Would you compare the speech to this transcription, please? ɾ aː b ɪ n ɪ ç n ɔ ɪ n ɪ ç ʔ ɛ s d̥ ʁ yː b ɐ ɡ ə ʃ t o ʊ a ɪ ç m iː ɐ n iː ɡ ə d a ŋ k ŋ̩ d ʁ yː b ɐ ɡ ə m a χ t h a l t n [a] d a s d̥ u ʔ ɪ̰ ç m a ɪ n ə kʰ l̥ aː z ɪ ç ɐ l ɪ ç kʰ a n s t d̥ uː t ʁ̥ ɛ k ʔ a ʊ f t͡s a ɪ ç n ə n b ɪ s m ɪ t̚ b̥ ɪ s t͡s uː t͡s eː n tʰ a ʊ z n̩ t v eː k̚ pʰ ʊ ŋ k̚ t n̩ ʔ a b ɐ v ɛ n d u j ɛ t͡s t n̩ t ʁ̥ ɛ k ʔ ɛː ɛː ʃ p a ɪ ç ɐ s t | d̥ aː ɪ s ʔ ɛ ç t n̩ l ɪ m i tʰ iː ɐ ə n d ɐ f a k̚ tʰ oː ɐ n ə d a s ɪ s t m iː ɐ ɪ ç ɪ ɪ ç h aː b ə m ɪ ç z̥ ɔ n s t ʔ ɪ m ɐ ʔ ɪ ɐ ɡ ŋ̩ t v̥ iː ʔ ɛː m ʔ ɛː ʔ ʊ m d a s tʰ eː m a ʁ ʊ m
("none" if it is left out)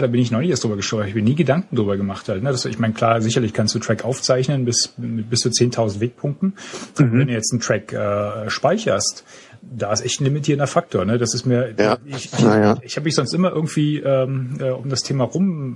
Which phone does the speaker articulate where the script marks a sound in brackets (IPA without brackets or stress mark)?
ə